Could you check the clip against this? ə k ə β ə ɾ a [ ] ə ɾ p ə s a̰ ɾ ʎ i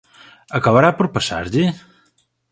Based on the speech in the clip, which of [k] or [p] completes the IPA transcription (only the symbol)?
p